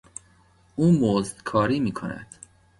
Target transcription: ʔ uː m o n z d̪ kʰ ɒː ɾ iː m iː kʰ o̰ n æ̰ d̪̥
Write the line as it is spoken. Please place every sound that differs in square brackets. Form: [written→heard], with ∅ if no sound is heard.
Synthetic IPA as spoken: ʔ uː m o [n→∅] z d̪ kʰ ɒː ɾ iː m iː kʰ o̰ n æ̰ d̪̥